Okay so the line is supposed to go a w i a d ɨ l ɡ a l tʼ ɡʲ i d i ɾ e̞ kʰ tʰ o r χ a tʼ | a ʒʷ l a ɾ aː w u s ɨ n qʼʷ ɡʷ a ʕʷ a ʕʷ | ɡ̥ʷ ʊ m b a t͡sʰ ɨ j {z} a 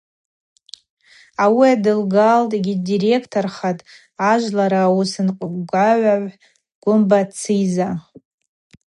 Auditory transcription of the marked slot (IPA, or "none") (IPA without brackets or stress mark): z